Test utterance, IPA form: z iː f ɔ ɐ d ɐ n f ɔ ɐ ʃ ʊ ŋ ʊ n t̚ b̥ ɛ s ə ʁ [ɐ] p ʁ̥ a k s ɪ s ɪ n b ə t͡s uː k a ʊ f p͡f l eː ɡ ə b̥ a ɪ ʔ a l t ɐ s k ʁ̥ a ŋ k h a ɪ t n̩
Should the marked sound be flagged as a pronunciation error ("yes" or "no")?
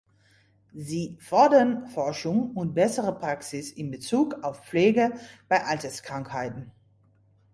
yes